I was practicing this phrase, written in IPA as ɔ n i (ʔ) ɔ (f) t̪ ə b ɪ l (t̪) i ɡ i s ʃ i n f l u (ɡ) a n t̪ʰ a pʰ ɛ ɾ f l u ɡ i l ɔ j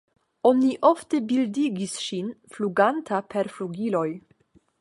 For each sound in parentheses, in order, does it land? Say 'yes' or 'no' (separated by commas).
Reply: yes, yes, no, yes